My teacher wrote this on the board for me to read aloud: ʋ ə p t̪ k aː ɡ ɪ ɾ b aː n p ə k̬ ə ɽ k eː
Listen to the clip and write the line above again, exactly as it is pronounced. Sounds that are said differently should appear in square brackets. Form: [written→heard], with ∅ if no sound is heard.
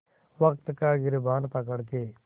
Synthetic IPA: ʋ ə [p→k] t̪ k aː ɡ ɪ ɾ b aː n p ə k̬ ə ɽ k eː